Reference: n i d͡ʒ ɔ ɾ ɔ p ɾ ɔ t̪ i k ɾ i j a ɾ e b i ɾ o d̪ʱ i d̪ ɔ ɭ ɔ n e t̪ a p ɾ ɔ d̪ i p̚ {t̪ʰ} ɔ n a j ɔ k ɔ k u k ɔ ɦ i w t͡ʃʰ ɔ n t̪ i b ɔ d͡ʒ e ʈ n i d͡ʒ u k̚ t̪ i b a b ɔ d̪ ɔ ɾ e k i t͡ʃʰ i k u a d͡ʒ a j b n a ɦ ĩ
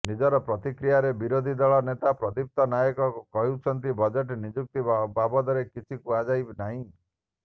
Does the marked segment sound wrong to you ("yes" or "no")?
yes